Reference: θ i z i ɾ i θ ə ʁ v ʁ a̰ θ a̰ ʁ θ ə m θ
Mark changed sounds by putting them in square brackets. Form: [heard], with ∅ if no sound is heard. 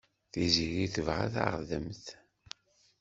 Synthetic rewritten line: θ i z i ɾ i θ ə [∅] v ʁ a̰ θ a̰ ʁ [ð] ə m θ